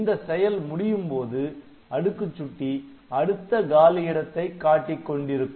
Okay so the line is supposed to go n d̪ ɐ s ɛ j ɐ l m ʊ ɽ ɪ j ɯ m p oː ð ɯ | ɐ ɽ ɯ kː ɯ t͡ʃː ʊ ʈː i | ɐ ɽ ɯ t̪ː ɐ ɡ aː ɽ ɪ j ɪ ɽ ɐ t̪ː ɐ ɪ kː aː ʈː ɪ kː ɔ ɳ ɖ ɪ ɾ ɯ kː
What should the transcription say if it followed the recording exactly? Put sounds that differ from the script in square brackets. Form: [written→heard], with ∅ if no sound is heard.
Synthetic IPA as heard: n d̪ ɐ s ɛ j ɐ l m ʊ ɽ ɪ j ɯ m p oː ð ɯ | ɐ ɽ ɯ kː ɯ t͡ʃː ʊ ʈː i | ɐ ɽ ɯ t̪ː ɐ ɡ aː [ɽ→l] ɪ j ɪ ɽ ɐ t̪ː ɐ ɪ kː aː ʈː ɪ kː ɔ ɳ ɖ ɪ ɾ ɯ kː